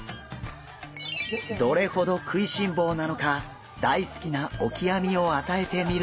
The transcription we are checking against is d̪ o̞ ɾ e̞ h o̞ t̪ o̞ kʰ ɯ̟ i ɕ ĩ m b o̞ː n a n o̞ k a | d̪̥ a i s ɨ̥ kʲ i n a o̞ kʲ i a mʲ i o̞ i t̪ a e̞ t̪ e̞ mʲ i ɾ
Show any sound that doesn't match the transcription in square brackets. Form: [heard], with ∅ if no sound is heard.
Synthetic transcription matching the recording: d̪ o̞ ɾ e̞ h o̞ [d̪] o̞ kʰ ɯ̟ i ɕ ĩ m b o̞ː n a n o̞ k a | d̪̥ a i s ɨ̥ kʲ i n a o̞ kʲ i a mʲ i o̞ [a] t̪ a e̞ t̪ e̞ mʲ i ɾ